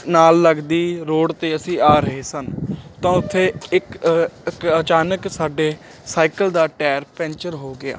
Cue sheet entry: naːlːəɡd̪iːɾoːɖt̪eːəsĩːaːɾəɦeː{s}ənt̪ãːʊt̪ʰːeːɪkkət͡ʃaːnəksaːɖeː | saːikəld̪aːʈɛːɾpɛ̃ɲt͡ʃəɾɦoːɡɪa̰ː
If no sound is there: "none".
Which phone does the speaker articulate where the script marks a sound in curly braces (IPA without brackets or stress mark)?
s